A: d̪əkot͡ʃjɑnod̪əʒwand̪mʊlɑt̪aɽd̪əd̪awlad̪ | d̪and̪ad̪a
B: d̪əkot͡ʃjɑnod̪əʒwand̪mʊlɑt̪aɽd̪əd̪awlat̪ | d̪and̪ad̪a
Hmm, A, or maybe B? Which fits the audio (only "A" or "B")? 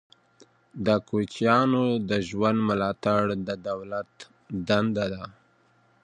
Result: B